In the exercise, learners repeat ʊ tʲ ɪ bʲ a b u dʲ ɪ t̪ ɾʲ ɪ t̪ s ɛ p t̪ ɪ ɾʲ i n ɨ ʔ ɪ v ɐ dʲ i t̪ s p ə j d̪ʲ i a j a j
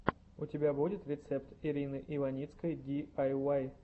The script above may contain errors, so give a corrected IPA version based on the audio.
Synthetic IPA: ʊ tʲ ɪ bʲ a b u dʲ ɪ t̪ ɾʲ ɪ t̪ s ɛ p t̪ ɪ ɾʲ i n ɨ ʔ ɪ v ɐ nʲ i t̪ s k ə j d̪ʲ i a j a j